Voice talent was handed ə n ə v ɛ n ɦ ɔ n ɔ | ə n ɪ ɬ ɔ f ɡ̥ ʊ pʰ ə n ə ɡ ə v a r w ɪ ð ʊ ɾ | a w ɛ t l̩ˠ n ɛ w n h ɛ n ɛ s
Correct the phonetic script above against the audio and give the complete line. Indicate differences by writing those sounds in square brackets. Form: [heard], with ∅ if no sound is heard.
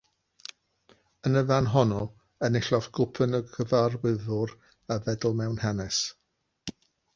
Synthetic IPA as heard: ə n ə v [a] n ɦ ɔ n ɔ | ə n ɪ ɬ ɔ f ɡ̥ ʊ pʰ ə n ə ɡ ə v a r w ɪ ð ʊ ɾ | a [v] ɛ [d] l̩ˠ [m] ɛ w n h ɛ n ɛ s